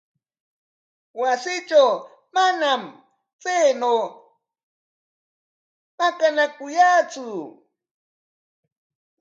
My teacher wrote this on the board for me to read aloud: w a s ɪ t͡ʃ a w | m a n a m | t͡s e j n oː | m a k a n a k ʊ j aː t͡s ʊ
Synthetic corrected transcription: w a s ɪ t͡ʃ a w | m a n a m | t͡s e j n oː | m a k a n a k ʊ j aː t͡s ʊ